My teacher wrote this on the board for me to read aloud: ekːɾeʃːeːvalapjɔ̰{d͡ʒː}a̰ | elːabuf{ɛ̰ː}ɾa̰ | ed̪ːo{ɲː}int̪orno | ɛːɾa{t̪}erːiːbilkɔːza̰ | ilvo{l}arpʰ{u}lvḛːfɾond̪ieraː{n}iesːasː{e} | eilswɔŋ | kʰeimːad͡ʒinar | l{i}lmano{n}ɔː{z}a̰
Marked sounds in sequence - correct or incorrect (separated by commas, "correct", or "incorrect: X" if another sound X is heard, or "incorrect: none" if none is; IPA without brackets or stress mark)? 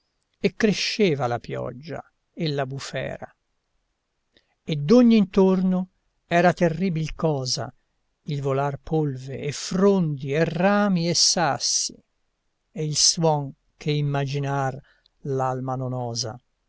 correct, correct, correct, correct, correct, incorrect: o, incorrect: m, incorrect: i, incorrect: a, correct, correct